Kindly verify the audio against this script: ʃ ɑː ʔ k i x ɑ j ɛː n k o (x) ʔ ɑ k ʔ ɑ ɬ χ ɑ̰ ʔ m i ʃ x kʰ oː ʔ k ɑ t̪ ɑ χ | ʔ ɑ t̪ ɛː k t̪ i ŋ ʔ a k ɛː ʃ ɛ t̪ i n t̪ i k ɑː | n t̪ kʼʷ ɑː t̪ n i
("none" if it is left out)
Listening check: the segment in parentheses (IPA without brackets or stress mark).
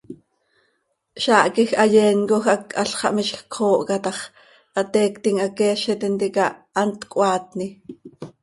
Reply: x